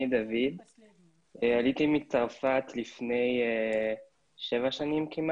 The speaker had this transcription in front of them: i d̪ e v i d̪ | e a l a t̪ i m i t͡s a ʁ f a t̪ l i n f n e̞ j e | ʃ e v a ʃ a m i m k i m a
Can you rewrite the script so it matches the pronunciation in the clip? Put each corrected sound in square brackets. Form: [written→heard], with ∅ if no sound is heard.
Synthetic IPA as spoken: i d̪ [e→a] v i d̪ | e a l [a→i] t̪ i m i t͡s a ʁ f a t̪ l i [n→∅] f n e̞ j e | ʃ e v a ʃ a [m→n] i m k i m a